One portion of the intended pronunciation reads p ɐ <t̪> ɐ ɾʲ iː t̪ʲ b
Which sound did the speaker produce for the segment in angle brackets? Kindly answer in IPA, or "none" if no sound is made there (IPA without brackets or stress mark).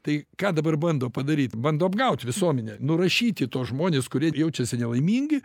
d̪